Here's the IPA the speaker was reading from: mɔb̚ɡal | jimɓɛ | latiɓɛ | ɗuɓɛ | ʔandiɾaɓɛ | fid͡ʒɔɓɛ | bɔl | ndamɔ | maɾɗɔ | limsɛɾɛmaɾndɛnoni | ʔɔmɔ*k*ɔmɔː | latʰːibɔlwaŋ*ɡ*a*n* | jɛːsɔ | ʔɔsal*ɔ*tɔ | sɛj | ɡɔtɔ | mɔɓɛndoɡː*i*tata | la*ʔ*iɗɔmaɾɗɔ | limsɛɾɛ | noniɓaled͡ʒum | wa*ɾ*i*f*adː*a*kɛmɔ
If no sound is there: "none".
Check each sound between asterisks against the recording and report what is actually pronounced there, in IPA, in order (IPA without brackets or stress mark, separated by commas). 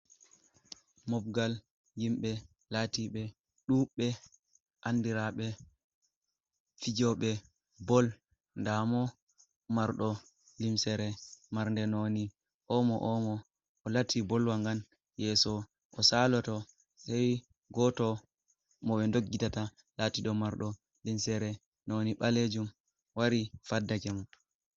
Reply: ʔ, ɡ, n, ɔ, i, t, ɾ, f, a